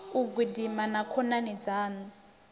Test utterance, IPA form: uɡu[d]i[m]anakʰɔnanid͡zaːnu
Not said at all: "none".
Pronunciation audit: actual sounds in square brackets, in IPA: d, m

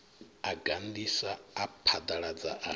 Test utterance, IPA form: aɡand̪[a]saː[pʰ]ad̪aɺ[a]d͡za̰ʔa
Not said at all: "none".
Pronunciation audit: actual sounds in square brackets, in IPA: i, pʰ, a

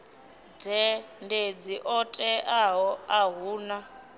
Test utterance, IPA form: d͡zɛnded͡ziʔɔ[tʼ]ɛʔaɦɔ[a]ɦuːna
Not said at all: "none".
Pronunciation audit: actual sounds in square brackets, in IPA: tʼ, a

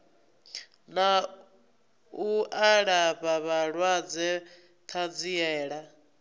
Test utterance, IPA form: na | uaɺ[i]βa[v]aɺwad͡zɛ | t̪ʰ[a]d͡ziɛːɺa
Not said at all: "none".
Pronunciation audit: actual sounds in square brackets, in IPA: a, β, a

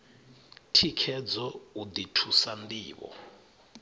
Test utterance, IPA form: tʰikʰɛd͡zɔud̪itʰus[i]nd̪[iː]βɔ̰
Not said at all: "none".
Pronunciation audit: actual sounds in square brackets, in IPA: a, iː

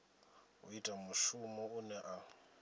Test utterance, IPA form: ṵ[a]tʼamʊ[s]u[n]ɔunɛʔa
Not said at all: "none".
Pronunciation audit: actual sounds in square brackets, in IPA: i, ʃ, m

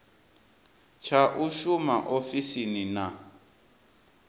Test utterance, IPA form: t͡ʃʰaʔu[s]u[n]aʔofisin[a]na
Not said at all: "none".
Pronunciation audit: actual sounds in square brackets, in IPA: ʃ, m, i

